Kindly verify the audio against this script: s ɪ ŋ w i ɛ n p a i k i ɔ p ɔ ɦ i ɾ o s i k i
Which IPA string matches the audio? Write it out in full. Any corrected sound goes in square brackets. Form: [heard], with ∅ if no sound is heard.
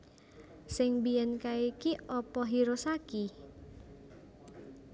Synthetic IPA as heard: s ɪ ŋ [b] i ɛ n [k] a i k i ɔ p ɔ ɦ i ɾ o s [a] k i